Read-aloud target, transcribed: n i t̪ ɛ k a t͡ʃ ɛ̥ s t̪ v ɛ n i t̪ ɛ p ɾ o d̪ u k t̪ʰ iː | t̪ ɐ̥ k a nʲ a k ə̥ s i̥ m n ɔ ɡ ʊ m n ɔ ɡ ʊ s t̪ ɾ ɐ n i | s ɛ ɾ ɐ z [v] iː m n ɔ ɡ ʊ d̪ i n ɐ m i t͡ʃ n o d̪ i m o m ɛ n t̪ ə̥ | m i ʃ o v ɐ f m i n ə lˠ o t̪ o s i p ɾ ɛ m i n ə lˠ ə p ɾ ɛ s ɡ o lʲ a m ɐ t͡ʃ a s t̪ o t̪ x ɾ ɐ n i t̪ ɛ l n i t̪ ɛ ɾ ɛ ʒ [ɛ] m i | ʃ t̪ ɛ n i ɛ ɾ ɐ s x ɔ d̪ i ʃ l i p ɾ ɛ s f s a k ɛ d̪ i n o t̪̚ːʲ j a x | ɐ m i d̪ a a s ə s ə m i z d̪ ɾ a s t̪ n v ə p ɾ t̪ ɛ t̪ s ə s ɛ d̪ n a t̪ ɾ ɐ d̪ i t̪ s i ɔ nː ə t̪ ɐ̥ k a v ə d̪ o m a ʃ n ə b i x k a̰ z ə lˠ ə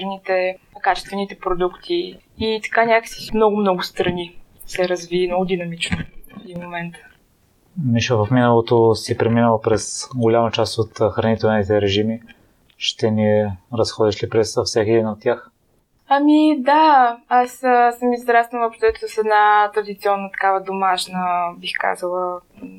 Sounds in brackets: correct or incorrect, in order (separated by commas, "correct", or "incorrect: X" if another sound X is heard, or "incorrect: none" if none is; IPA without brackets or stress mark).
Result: correct, incorrect: i